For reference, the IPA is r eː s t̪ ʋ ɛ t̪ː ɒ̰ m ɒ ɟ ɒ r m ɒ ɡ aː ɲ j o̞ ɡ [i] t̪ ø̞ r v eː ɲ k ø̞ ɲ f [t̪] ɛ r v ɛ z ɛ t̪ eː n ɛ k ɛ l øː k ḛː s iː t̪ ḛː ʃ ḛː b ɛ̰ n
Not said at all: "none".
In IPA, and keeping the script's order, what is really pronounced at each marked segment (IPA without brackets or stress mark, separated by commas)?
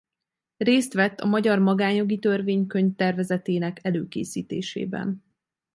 i, t̪